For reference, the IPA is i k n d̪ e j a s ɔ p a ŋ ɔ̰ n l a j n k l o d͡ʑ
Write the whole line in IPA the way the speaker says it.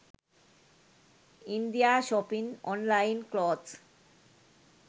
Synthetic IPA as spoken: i n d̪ i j a ʃ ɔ p i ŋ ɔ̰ n l a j n k l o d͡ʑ

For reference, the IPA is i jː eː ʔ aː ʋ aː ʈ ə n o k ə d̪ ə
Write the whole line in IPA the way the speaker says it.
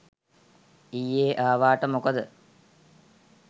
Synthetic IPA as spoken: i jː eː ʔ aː ʋ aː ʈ ə m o k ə d̪ ə

